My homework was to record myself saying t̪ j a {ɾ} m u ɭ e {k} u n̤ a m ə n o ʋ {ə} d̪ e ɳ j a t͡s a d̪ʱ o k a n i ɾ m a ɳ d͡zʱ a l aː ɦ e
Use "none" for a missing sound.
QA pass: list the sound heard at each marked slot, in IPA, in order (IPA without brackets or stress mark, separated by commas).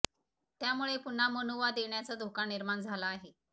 none, p, a